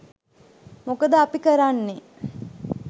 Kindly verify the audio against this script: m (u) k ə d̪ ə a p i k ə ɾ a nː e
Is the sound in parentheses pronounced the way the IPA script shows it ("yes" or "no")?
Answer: no